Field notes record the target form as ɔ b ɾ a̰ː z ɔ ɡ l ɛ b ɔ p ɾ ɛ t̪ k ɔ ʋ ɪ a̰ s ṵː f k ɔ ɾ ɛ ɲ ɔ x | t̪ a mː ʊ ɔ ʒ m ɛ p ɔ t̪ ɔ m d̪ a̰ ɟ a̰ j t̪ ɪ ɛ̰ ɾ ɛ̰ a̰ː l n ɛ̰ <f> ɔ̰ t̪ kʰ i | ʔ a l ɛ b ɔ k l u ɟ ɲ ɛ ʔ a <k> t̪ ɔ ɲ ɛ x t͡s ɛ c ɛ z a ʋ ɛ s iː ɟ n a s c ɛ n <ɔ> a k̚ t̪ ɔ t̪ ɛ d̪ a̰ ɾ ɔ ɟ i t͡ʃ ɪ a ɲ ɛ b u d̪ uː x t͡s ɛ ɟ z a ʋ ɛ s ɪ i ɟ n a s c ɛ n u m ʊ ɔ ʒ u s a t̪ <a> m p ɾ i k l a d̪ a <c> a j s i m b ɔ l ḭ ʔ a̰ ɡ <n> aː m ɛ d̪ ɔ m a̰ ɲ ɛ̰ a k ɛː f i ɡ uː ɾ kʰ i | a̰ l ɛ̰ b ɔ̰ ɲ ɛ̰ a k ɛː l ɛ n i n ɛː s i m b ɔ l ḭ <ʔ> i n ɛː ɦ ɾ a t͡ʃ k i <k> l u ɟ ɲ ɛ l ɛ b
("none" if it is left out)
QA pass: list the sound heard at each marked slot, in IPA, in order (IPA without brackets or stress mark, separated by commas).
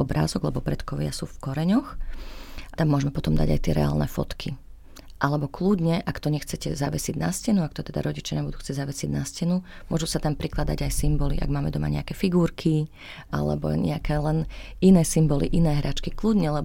f, k, u, a, ɟ, m, ʔ, k